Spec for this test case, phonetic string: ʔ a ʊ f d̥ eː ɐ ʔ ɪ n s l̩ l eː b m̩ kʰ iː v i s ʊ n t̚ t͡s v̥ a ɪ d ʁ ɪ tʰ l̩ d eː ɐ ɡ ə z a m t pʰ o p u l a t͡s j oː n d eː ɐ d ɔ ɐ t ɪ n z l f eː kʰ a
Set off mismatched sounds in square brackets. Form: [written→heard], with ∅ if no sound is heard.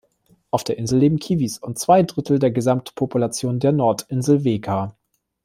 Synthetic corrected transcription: ʔ a ʊ f d̥ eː ɐ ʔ ɪ n [s→z] l̩ l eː b m̩ kʰ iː v i s ʊ n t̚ t͡s v̥ a ɪ d ʁ ɪ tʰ l̩ d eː ɐ ɡ ə z a m t pʰ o p u l a t͡s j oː n d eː ɐ [d→n] ɔ ɐ t ɪ n z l [f→v] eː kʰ a